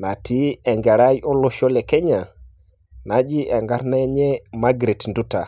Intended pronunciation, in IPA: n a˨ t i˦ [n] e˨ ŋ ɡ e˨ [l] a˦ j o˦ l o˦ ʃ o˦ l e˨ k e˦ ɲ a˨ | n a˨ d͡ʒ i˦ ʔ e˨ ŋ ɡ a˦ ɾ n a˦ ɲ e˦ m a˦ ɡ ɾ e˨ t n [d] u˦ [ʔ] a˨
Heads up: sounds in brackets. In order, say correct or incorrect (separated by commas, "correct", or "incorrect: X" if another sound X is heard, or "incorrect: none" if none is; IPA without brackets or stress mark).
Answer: incorrect: none, incorrect: ɾ, correct, incorrect: t